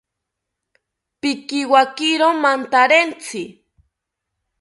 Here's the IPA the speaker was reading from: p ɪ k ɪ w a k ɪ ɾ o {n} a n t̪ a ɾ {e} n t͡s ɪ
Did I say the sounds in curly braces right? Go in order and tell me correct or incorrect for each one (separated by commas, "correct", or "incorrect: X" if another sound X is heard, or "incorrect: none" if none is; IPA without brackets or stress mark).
incorrect: m, correct